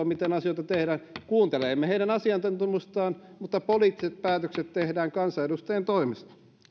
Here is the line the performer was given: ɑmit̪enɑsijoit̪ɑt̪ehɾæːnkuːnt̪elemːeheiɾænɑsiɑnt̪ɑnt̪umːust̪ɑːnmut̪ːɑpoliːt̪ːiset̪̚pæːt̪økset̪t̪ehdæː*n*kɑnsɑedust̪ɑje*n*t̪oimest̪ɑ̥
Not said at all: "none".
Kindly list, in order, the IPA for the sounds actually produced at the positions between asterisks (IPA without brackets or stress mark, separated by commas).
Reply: ŋ, n